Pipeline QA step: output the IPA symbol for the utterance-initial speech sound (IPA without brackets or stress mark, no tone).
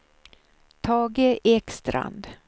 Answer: t̪ʰ